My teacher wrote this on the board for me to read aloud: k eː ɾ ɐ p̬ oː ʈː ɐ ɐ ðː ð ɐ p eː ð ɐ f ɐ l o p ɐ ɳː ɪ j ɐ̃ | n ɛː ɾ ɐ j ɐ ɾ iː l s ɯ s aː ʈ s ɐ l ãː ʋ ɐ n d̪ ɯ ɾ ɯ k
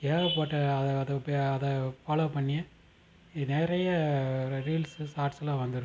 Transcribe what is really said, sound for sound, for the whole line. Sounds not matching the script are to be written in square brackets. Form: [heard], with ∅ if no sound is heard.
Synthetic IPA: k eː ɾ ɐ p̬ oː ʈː ɐ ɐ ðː ð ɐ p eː ð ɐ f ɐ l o p ɐ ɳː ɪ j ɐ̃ | n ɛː ɾ ɐ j ɐ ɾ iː l s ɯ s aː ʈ s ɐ l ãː ʋ ɐ n d̪ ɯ ɾ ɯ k